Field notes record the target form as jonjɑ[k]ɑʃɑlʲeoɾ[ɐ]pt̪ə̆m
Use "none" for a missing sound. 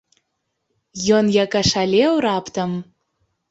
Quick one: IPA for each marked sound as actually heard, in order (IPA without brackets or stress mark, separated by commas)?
k, ɑ